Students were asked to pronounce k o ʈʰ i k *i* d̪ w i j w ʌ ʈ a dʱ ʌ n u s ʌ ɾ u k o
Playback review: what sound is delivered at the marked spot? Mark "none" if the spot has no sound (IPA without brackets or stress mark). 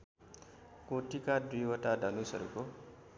a